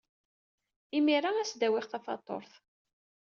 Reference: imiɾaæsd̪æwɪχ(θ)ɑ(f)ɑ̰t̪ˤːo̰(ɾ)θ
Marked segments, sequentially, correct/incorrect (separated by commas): correct, correct, correct